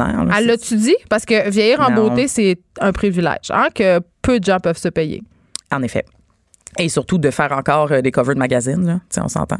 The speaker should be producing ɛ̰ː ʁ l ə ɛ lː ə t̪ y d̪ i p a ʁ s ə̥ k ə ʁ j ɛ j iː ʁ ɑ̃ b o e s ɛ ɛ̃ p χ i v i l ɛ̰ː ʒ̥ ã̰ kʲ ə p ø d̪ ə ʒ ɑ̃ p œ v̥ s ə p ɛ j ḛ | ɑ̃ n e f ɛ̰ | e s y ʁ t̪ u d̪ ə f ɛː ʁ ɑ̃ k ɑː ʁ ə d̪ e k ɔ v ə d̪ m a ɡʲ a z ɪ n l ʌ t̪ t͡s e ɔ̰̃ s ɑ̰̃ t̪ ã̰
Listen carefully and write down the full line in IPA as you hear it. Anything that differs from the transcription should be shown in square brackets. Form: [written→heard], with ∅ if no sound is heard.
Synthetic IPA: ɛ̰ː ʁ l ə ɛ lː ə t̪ y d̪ i p a ʁ s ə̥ k ə [ʁ→v] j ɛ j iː ʁ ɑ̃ b o e s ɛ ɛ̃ p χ i v i l ɛ̰ː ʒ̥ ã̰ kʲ ə p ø d̪ ə ʒ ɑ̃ p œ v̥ s ə p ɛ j ḛ | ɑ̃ n e f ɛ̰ | e s y ʁ t̪ u d̪ ə f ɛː ʁ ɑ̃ k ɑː ʁ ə d̪ e k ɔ v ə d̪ m a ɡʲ a z ɪ n l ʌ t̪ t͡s e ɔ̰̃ s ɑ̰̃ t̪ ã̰